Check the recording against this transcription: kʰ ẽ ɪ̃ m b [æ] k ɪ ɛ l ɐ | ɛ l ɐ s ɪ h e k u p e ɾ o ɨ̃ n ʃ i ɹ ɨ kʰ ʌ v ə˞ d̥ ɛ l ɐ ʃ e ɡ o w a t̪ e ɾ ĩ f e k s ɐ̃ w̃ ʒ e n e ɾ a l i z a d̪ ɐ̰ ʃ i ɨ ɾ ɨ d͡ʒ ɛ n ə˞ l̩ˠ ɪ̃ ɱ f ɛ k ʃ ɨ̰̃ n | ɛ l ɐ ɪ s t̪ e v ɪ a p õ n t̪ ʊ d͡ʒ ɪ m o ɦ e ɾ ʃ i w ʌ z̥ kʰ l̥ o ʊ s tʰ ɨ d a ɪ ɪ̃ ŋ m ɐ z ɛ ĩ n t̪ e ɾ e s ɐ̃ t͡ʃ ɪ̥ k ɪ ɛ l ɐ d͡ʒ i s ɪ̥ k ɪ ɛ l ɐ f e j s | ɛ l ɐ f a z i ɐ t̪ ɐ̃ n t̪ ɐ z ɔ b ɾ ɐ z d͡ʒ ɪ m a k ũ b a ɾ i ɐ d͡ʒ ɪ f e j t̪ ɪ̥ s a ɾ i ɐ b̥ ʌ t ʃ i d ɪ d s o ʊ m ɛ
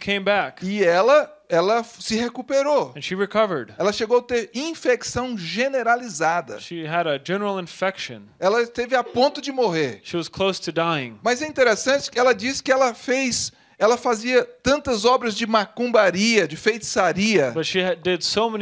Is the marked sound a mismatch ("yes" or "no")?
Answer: no